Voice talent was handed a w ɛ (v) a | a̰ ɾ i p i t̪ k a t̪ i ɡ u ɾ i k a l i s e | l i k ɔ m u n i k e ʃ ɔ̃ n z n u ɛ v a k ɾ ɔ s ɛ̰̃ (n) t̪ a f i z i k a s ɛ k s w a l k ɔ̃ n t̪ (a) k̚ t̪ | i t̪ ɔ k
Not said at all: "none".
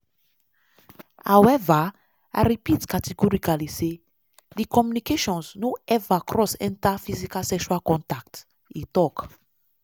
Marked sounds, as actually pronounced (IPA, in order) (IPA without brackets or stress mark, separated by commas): v, n, a